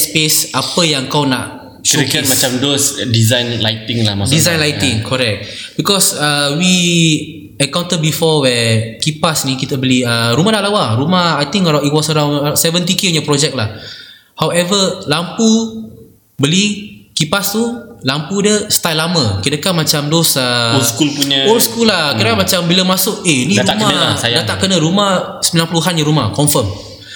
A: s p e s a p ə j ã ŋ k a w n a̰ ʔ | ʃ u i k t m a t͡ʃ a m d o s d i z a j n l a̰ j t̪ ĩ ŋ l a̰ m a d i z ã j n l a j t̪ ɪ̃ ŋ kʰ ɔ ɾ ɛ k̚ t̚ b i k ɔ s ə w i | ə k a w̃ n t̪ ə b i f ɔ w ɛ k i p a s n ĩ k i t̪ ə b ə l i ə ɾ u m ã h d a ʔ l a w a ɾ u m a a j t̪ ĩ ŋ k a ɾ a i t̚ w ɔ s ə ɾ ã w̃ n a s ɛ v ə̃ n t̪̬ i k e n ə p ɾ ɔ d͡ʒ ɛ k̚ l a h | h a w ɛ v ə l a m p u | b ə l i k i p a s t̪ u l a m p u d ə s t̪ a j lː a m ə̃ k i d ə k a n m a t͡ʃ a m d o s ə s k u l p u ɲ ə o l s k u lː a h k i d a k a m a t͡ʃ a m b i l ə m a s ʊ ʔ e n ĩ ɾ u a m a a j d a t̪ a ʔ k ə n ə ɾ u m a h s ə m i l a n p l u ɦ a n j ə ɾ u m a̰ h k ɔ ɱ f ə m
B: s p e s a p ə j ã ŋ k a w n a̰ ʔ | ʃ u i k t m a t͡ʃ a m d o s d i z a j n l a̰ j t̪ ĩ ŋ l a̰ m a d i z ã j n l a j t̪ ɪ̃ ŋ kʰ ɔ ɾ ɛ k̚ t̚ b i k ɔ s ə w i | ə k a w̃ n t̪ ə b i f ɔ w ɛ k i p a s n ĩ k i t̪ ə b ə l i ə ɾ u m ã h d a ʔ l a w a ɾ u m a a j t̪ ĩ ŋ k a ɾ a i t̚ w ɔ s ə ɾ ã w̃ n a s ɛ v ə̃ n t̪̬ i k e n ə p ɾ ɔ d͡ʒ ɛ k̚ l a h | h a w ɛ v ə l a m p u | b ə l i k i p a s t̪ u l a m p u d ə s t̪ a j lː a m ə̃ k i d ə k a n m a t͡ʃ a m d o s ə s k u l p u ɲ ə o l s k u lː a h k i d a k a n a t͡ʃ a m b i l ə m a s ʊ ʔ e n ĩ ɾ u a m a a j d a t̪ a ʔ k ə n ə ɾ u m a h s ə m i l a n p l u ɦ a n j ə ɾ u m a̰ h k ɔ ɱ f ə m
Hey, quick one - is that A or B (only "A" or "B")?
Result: A